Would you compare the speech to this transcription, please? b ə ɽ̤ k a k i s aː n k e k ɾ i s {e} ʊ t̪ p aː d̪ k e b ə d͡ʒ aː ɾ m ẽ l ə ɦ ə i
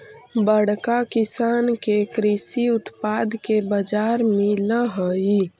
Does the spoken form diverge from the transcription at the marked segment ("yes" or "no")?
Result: yes